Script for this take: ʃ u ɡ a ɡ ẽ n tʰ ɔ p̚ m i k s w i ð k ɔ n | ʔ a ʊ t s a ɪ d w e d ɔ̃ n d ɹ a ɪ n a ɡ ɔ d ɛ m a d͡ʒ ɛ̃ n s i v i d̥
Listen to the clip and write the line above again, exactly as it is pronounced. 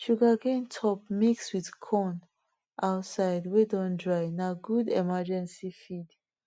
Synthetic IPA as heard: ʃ u ɡ a ɡ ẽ n tʰ ɔ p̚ m i k s w i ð kʰ ɔ n | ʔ a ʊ t s a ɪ d w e d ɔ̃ n d ɹ a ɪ n a ɡ u d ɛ m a d͡ʒ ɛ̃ n s i f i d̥

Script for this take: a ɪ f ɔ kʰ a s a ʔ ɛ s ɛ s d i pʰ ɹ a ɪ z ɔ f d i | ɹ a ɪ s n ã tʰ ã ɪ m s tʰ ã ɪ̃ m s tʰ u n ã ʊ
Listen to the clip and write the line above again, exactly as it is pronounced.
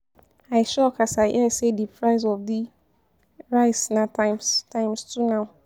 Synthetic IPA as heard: a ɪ ʃ ɔ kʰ a s a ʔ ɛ s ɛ d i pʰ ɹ a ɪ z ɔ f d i | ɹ a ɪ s n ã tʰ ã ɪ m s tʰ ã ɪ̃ m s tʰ u n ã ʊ

